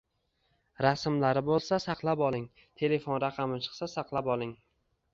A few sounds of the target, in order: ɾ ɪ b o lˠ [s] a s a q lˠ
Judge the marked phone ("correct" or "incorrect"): correct